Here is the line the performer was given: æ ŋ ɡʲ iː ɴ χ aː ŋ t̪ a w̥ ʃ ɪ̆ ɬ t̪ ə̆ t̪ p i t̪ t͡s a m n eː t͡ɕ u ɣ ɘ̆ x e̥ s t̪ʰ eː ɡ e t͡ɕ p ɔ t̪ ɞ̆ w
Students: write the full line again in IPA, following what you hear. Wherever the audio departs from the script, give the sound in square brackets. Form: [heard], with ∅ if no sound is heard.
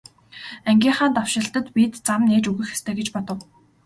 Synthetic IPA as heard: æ ŋ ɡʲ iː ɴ χ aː [n] t̪ a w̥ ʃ ɪ̆ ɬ t̪ ə̆ t̪ p i t̪ t͡s a m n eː t͡ɕ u ɣ ɘ̆ x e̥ s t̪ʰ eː ɡ e t͡ɕ p ɔ t̪ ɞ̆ w